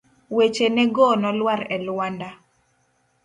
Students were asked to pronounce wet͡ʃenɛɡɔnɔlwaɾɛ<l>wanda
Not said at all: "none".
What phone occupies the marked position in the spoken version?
l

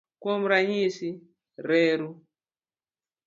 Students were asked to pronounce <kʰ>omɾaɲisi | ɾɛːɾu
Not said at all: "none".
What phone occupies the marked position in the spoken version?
k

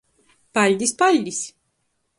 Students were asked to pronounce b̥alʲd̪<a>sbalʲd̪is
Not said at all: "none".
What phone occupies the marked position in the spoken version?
i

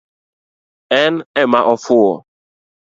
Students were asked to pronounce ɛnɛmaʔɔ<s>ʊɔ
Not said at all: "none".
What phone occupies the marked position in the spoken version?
f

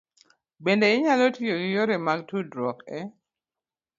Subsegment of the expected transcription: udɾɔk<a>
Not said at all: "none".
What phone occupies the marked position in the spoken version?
ɛ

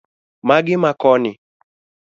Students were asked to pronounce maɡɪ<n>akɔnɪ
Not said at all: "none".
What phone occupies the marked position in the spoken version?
m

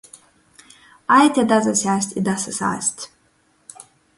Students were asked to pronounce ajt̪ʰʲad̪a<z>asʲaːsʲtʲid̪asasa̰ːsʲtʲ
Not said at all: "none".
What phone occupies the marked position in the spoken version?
z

